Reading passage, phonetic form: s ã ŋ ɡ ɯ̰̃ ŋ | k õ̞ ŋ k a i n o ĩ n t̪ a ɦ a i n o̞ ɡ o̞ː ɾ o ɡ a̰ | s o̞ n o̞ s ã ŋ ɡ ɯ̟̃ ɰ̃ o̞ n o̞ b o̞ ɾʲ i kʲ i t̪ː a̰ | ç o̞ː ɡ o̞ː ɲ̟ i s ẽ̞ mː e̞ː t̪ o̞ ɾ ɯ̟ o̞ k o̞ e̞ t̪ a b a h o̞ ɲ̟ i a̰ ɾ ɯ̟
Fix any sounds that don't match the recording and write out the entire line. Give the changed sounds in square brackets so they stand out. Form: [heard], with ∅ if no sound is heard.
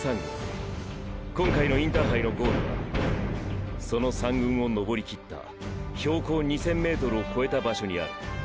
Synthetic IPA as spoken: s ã ŋ ɡ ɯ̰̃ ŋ | k õ̞ ŋ k a i n o ĩ n t̪ a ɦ a i n o̞ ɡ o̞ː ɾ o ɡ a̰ | s o̞ n o̞ s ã ŋ ɡ ɯ̟̃ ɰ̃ o̞ n o̞ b o̞ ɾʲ i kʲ i t̪ː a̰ | ç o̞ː [k] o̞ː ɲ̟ i s ẽ̞ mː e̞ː t̪ o̞ ɾ ɯ̟ o̞ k o̞ e̞ t̪ a b a [ɕ] o̞ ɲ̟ i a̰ ɾ ɯ̟